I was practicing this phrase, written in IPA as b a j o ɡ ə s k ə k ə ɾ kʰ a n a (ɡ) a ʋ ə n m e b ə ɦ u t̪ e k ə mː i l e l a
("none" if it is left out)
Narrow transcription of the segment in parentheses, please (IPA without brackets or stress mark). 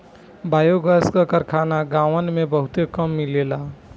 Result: ɡ